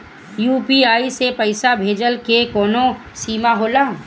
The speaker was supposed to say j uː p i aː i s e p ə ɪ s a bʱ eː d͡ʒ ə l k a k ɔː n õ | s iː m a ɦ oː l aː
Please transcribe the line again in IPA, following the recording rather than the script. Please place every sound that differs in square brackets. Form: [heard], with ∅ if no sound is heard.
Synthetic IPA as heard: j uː p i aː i s e p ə ɪ s a bʱ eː d͡ʒ ə l k [e] k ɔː n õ | s iː m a ɦ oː l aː